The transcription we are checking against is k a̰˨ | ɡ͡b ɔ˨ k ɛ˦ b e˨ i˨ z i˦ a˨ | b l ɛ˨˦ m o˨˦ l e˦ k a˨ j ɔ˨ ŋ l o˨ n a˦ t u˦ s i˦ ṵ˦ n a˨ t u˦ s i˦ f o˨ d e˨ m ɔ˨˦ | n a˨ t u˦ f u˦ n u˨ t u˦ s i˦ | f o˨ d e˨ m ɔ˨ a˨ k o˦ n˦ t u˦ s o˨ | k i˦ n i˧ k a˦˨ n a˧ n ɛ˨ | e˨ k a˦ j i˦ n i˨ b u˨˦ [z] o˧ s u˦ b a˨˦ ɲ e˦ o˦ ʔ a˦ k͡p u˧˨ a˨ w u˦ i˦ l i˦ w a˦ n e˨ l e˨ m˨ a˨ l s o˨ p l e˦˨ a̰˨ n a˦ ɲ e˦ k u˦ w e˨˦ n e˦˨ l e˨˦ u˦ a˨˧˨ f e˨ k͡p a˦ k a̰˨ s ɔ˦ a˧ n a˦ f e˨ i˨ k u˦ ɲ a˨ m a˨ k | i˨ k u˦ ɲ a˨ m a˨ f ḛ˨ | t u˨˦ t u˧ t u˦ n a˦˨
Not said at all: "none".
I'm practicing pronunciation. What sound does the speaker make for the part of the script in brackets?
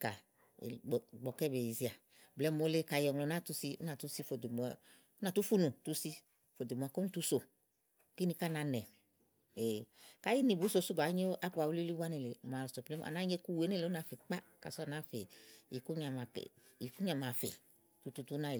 s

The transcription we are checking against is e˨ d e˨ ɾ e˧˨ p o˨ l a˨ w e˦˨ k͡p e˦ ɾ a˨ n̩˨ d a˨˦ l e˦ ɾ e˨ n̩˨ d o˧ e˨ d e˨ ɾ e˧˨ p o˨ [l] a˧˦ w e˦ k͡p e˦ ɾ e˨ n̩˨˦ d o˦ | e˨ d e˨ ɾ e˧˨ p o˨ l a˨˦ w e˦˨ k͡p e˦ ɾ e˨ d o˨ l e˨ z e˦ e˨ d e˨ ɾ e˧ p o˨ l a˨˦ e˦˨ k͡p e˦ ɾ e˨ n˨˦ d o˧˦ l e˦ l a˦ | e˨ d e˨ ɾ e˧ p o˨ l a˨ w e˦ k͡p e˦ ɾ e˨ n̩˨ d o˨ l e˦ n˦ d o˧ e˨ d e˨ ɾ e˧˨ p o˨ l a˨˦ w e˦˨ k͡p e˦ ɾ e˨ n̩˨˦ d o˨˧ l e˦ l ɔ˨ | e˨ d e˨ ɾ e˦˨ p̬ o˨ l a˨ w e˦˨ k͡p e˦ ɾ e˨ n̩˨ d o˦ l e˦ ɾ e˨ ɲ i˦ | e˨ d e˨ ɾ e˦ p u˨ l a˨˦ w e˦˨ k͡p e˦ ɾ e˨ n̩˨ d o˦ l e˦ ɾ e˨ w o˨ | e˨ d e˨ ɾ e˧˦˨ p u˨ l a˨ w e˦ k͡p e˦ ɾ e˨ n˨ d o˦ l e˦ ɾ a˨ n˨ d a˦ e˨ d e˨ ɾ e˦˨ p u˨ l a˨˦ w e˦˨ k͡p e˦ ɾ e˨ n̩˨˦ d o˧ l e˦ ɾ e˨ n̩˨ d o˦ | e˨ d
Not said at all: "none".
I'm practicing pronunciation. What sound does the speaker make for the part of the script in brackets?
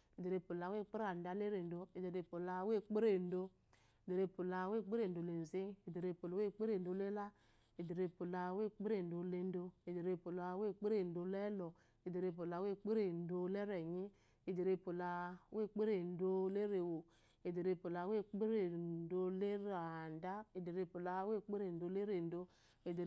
l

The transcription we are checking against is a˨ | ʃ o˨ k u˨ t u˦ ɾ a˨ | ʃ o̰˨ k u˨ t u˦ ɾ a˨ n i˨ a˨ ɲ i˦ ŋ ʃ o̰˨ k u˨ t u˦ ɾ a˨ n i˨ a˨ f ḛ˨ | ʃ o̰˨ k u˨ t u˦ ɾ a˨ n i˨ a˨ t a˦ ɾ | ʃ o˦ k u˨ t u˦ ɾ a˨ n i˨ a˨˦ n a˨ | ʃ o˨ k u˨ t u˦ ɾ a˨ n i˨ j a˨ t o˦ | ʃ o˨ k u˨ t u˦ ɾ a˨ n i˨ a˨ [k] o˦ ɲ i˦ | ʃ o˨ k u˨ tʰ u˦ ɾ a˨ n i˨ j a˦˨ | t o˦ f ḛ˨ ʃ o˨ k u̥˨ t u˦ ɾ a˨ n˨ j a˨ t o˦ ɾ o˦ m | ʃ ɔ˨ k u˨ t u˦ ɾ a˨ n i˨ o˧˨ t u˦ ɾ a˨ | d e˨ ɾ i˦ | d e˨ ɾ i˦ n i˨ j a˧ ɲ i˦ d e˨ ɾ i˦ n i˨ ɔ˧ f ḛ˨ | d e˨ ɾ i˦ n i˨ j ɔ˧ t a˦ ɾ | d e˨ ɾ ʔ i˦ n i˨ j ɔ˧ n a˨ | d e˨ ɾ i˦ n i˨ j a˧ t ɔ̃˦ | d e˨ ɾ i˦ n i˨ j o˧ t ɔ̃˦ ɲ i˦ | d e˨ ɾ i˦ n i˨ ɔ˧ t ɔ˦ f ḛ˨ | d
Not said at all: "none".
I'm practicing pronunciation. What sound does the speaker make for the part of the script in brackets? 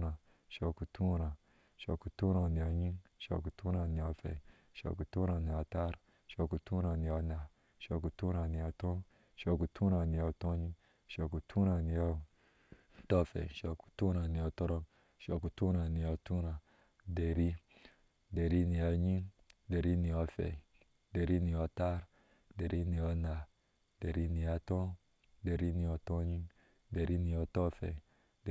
t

